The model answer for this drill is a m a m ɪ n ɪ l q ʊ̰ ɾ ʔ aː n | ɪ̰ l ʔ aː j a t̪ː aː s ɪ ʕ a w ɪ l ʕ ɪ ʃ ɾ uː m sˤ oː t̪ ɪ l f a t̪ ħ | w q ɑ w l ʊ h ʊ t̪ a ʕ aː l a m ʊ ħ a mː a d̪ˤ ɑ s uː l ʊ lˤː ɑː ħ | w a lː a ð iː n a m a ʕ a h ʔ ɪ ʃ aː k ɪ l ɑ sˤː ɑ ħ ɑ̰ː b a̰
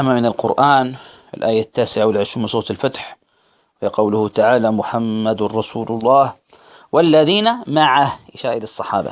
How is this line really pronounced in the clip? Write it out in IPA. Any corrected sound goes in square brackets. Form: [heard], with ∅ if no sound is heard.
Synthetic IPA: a m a m ɪ n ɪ l q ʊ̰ ɾ ʔ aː n | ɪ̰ l ʔ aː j a t̪ː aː s ɪ ʕ a w ɪ l ʕ ɪ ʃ ɾ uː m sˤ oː t̪ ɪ l f a t̪ ħ | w q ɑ w l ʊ h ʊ t̪ a ʕ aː l a m ʊ ħ a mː a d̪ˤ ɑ s uː l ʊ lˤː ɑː [h] | w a lː a ð iː n a m a ʕ a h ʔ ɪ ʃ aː [ʔ] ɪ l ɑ sˤː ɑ ħ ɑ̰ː b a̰